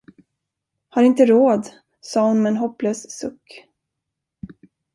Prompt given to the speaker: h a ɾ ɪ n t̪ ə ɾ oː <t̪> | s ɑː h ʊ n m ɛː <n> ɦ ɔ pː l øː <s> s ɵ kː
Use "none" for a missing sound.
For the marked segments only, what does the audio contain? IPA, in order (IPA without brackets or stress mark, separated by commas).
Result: d̪, n, s